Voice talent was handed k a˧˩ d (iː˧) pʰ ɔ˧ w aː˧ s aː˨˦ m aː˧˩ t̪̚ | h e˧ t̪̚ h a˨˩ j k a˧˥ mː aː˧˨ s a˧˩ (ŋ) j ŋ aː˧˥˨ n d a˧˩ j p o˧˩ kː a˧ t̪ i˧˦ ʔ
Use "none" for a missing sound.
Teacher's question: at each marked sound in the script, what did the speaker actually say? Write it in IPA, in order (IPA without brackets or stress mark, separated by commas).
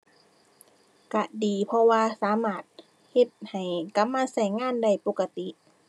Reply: iː˨˩, none